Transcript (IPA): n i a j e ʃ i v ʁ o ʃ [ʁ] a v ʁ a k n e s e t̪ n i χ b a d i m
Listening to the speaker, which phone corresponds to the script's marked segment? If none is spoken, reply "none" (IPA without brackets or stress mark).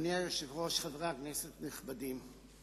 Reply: χ